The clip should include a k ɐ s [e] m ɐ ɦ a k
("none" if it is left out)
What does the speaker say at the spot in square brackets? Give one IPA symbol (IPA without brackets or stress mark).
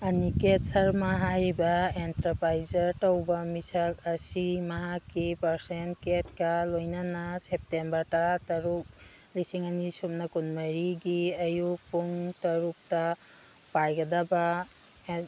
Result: i